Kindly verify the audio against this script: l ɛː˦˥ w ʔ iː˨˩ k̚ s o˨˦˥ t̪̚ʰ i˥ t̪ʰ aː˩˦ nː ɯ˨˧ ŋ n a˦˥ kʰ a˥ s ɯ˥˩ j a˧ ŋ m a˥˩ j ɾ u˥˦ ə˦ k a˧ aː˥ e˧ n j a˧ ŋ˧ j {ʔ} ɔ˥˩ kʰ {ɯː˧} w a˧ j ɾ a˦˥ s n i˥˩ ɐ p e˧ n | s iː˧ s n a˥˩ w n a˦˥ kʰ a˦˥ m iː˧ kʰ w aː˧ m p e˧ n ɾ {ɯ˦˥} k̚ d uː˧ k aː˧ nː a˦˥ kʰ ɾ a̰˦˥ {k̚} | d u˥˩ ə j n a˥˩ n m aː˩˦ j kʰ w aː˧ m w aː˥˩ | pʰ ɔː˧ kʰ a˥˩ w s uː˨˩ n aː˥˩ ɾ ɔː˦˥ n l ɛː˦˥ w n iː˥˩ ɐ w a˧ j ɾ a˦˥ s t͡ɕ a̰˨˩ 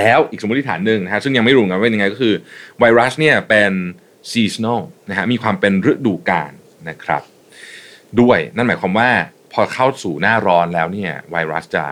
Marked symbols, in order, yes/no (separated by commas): no, yes, yes, no